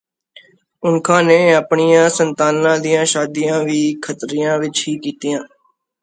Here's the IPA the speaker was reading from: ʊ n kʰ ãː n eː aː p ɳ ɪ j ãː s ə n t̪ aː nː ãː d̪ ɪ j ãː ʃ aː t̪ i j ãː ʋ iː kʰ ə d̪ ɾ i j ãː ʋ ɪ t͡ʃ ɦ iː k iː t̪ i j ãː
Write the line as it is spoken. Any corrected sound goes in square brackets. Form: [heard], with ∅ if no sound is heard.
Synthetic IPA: ʊ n kʰ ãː n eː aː p ɳ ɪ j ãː s ə n t̪ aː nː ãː d̪ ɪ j ãː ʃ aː [d̪] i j ãː ʋ iː kʰ ə [t̪] ɾ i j ãː ʋ ɪ t͡ʃ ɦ iː k iː t̪ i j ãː